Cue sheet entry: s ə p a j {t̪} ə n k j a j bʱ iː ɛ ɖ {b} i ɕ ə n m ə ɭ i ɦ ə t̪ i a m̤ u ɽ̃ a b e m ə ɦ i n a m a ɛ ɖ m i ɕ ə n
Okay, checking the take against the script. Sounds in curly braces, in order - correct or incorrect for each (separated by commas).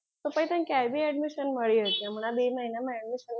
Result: correct, incorrect